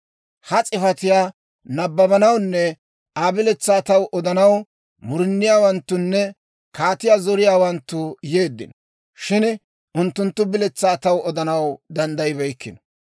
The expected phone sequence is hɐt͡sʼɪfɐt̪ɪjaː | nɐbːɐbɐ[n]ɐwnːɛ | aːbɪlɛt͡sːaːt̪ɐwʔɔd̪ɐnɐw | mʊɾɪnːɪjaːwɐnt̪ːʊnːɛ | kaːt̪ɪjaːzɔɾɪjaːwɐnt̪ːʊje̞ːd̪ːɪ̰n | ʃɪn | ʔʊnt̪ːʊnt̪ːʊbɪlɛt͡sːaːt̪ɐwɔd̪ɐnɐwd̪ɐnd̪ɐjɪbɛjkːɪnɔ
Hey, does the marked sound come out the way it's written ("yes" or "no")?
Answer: yes